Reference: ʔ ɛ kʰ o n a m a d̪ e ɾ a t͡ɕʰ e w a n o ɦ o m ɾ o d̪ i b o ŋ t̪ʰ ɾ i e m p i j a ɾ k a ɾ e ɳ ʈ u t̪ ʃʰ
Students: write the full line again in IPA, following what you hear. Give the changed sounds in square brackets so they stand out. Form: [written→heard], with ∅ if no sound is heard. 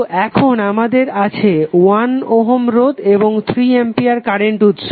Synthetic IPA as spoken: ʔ ɛ kʰ o n a m a d̪ e ɾ a t͡ɕʰ e w a n o ɦ o m ɾ o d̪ [i→e] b o ŋ t̪ʰ ɾ i e m p i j a ɾ k a ɾ e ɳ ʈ u t̪ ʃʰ